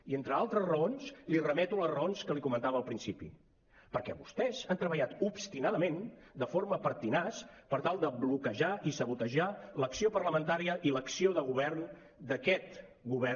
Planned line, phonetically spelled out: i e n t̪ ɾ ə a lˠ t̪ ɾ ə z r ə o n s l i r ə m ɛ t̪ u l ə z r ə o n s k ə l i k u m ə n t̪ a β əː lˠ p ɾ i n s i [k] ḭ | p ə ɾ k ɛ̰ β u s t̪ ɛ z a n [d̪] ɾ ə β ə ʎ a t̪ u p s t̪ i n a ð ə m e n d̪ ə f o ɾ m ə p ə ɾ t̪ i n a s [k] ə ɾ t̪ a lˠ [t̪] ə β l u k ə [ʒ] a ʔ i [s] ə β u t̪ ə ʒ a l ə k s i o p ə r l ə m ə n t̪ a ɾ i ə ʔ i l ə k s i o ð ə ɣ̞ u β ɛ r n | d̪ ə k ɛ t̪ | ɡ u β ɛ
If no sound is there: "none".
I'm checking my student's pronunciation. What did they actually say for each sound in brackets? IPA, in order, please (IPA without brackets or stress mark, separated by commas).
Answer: p, t̪, p, d̪, ʒ, s